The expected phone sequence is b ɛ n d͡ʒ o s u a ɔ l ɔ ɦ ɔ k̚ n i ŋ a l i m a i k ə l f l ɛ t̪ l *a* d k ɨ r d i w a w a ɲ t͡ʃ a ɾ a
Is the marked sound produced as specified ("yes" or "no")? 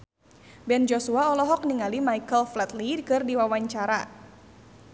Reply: no